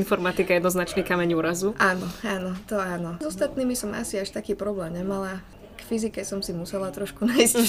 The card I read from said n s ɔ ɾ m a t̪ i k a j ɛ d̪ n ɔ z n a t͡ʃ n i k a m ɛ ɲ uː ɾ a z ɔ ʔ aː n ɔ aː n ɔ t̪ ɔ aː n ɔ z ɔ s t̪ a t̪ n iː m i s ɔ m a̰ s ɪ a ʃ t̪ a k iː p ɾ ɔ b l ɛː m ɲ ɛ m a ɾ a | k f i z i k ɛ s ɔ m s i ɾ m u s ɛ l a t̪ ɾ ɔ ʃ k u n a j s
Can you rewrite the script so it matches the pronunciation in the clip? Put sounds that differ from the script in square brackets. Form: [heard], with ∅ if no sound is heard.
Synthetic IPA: n [f] ɔ ɾ m a t̪ i k a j ɛ d̪ n ɔ z n a t͡ʃ n i k a m ɛ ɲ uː ɾ a z [u] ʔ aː n ɔ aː n ɔ t̪ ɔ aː n ɔ z ɔ s t̪ a t̪ n iː m i s ɔ m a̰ s [i] a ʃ t̪ a k iː p ɾ ɔ b l ɛː m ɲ ɛ m a [l] a | k f i z i k ɛ s ɔ m s i [∅] m u s ɛ l a t̪ ɾ ɔ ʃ k u n a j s